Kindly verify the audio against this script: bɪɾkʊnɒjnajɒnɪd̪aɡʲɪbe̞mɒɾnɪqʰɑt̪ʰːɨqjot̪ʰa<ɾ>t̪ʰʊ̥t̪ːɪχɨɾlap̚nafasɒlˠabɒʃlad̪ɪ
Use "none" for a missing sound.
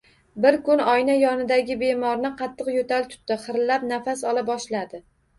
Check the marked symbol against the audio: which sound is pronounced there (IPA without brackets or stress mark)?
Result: l